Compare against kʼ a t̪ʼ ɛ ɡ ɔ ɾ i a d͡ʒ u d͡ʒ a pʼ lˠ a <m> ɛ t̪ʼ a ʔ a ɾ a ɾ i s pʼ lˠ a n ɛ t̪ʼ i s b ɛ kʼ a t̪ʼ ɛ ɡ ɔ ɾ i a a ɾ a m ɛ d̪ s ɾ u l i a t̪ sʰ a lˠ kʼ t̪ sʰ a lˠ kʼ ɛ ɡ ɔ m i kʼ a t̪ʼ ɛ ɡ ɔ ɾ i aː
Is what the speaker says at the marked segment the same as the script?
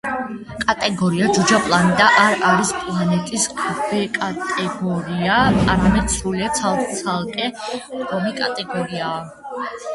no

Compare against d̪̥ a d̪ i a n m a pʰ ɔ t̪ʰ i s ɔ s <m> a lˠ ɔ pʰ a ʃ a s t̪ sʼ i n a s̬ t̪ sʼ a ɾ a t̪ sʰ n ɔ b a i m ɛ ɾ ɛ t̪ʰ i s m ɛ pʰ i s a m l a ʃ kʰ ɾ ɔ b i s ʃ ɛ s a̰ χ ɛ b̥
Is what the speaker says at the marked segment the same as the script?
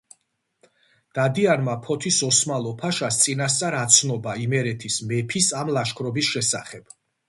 yes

